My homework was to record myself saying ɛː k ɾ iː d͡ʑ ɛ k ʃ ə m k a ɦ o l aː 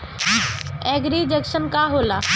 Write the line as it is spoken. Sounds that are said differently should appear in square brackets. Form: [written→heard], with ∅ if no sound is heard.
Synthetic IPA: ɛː [k→ɡ] ɾ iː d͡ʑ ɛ k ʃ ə [m→n] k a ɦ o l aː